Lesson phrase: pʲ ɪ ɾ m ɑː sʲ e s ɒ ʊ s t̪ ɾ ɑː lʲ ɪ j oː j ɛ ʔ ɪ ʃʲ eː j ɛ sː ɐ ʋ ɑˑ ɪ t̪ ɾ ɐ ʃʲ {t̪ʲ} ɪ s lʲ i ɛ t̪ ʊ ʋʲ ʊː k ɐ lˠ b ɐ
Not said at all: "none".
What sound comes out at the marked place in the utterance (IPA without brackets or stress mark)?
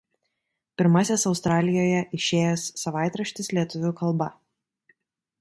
t̪ʲ